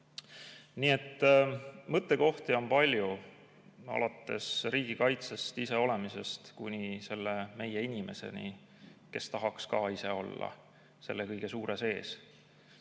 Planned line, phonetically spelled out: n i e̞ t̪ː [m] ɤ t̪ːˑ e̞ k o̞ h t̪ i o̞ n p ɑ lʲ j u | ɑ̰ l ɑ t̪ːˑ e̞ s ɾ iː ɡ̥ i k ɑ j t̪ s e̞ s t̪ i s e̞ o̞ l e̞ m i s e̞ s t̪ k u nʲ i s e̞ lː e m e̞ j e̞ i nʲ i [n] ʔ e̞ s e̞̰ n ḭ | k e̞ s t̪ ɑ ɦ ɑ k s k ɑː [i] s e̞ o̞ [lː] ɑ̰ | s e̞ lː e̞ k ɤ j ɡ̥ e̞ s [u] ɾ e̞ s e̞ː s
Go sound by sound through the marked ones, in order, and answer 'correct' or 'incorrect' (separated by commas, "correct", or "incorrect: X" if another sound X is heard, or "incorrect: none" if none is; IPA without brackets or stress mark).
correct, incorrect: m, correct, correct, incorrect: uː